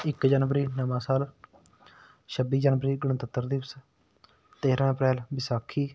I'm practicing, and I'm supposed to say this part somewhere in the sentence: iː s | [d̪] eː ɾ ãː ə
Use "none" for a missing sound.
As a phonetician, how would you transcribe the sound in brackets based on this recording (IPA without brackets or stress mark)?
t̪